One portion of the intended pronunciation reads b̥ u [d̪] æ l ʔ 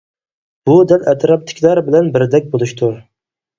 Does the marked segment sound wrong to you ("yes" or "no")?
no